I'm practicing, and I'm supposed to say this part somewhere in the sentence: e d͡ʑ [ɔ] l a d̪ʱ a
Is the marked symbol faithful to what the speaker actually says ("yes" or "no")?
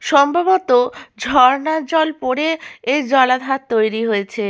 yes